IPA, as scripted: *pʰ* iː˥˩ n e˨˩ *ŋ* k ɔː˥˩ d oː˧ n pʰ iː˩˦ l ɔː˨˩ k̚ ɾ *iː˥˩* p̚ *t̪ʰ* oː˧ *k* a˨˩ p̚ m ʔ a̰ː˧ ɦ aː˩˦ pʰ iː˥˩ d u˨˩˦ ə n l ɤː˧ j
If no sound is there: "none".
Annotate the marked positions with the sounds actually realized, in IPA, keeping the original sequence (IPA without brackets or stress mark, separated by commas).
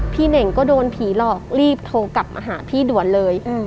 pʰ, ŋ, iː˥˩, t̪ʰ, k